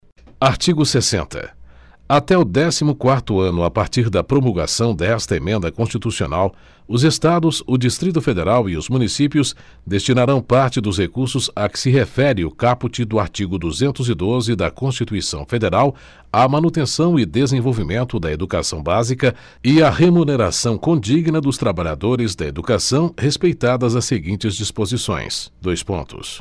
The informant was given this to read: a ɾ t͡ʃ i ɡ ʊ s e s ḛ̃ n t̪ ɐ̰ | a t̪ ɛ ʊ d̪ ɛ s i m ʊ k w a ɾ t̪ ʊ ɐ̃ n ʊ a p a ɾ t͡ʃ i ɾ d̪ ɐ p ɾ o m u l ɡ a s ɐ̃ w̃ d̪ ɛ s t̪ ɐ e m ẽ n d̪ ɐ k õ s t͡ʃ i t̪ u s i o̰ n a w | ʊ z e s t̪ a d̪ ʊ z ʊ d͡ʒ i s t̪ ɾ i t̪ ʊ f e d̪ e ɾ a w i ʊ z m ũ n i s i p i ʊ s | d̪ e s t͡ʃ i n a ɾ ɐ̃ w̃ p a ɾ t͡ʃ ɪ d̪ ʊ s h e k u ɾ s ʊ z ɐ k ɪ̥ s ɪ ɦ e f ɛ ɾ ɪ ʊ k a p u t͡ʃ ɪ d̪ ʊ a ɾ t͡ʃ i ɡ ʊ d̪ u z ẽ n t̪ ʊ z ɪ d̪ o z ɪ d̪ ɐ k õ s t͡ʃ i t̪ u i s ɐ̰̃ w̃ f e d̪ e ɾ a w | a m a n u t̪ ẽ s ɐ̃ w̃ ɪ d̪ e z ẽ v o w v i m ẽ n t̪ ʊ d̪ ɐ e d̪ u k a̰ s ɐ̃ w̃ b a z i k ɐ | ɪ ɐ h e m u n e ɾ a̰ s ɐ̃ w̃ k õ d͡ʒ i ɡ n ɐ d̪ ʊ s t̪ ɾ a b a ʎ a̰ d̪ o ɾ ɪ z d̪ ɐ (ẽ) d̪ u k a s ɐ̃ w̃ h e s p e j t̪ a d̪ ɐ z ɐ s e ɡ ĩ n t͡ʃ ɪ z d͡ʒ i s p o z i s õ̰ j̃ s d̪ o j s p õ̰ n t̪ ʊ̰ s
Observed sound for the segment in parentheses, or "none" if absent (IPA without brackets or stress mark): e